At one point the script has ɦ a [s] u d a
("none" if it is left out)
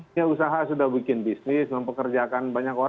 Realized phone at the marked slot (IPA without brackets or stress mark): s